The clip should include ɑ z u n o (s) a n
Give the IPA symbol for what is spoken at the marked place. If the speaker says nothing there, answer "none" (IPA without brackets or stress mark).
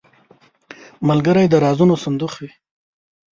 s